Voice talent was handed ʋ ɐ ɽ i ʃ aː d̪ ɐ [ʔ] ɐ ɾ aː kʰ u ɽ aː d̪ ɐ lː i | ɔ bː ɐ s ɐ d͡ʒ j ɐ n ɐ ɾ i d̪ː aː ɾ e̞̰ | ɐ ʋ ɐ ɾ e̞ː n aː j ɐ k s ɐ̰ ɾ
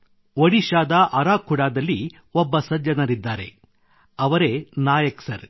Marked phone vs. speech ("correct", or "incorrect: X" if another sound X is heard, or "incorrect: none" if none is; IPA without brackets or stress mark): correct